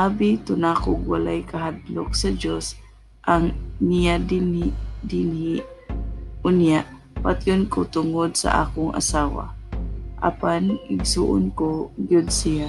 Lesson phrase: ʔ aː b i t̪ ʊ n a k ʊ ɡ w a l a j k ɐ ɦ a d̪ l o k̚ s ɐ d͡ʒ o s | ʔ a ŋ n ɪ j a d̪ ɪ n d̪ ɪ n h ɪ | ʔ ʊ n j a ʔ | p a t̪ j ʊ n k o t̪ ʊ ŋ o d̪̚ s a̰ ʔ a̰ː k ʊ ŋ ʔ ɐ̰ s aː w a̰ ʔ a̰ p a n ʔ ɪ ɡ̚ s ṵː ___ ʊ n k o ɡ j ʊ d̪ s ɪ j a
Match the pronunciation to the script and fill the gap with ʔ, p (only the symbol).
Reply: ʔ